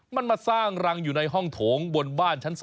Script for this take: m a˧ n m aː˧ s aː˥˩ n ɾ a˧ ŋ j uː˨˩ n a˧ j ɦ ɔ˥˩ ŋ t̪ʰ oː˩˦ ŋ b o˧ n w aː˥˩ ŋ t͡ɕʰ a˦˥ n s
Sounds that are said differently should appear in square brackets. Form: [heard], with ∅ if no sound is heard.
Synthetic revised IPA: m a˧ n m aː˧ s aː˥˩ [ŋ] ɾ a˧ ŋ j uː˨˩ n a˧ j ɦ ɔ˥˩ ŋ t̪ʰ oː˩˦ ŋ b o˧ n [b] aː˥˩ [n] t͡ɕʰ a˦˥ n s

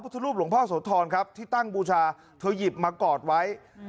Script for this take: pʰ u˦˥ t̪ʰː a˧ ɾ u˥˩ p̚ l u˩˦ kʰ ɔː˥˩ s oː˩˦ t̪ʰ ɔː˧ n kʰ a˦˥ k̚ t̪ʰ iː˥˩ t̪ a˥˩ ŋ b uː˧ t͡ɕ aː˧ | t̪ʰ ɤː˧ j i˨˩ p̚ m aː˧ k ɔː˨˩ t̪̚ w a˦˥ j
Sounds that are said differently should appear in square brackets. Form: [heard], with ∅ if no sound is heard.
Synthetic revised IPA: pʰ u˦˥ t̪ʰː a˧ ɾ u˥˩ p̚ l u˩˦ [pʰ] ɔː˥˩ s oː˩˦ t̪ʰ ɔː˧ n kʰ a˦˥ [p̚] t̪ʰ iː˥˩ t̪ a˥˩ ŋ b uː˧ [t͡ɕʰ] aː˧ | t̪ʰ ɤː˧ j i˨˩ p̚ m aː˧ k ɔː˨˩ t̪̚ w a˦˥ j

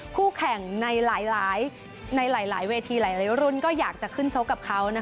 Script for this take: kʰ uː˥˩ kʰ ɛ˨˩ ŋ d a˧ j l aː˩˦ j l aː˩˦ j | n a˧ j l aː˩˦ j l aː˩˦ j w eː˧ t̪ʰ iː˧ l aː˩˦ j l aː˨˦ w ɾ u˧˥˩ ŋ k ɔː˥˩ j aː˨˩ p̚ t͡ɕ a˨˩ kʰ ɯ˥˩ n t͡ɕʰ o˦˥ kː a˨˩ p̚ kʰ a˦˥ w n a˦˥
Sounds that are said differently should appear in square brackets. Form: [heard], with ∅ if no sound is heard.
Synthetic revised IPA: kʰ uː˥˩ kʰ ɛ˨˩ ŋ [n] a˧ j l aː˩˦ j l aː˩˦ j | n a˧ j l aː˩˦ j l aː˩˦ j w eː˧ t̪ʰ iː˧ l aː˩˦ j l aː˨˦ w ɾ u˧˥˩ [n] k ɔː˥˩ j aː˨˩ [k̚] t͡ɕ a˨˩ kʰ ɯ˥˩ n t͡ɕʰ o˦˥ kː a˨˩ p̚ kʰ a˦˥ w n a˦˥

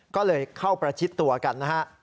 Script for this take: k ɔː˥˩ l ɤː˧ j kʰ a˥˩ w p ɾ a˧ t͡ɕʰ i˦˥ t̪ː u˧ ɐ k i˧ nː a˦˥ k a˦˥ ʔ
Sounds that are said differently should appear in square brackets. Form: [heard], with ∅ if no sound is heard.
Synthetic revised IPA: k ɔː˥˩ l ɤː˧ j kʰ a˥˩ w p ɾ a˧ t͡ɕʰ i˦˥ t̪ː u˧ ɐ k [a˧] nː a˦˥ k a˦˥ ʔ

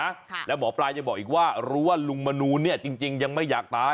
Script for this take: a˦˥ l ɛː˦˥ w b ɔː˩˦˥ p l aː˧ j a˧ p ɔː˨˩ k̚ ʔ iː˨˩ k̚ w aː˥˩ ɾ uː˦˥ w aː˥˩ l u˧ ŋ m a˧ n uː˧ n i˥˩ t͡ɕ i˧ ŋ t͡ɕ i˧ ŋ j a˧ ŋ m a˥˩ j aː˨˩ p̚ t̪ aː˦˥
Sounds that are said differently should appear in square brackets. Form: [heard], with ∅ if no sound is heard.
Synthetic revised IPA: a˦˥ l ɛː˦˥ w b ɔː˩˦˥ p l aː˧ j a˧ [b] ɔː˨˩ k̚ ʔ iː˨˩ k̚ w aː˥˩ ɾ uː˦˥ w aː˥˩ l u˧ ŋ m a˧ n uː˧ n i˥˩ t͡ɕ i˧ ŋ t͡ɕ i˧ ŋ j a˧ ŋ m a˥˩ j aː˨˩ [k̚] t̪ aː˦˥

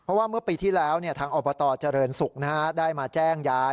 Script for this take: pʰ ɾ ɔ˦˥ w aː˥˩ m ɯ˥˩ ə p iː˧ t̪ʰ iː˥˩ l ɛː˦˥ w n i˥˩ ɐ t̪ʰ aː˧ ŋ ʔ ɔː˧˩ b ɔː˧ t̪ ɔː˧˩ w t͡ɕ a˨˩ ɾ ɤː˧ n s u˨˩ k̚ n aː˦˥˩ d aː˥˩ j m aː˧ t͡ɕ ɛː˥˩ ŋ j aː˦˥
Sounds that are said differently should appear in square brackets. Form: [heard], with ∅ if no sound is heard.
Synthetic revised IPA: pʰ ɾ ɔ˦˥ w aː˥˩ m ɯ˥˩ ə p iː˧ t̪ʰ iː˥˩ l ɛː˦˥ w n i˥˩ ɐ t̪ʰ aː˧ ŋ ʔ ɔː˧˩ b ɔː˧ t̪ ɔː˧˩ [∅] t͡ɕ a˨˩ ɾ ɤː˧ n s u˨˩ k̚ n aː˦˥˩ d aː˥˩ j m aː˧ t͡ɕ ɛː˥˩ ŋ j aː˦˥

